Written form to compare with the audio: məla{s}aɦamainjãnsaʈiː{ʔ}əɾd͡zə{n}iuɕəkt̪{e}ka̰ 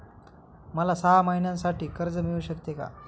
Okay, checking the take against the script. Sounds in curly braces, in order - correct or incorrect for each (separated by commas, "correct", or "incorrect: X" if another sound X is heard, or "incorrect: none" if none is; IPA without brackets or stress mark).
correct, incorrect: k, incorrect: m, correct